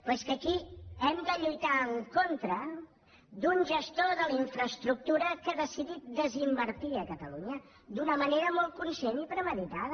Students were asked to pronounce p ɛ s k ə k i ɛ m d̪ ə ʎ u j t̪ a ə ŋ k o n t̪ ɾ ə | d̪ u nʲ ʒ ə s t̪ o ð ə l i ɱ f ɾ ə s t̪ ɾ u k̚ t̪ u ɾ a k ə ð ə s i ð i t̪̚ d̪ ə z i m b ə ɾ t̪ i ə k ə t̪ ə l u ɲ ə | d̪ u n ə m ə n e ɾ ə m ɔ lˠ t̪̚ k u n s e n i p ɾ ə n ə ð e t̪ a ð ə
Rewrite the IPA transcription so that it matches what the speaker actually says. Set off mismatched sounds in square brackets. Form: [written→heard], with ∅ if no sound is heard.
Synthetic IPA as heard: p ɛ s k ə k i ɛ m d̪ ə ʎ u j t̪ a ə ŋ k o n t̪ ɾ ə | d̪ u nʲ ʒ ə s t̪ o ð ə l i ɱ f ɾ ə s t̪ ɾ u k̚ t̪ u ɾ [a→ə] k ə ð ə s i ð i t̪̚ d̪ ə z i m b ə ɾ t̪ i ə k ə t̪ ə l u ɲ ə | d̪ u n ə m ə n e ɾ ə m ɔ lˠ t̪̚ k u n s e n i p ɾ ə [n→m] ə ð [e→i] t̪ a ð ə